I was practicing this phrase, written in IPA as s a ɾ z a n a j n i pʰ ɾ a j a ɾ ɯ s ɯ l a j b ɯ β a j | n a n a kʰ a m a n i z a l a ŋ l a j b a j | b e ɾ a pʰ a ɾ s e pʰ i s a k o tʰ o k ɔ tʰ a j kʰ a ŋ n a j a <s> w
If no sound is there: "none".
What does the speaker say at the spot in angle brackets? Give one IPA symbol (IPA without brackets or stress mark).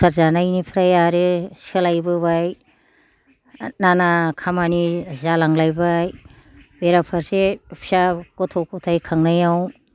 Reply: none